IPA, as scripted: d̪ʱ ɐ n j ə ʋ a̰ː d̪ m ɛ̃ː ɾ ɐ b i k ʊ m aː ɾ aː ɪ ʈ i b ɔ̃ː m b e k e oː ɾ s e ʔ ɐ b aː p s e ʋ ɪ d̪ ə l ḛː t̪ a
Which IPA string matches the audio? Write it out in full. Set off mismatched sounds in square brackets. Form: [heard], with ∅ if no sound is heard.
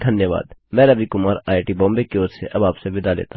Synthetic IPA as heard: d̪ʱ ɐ n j ə ʋ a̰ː d̪ m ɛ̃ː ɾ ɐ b i k ʊ m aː ɾ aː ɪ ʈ i b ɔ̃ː m b e k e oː ɾ s e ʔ ɐ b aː p s e ʋ ɪ d̪ [a] l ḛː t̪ a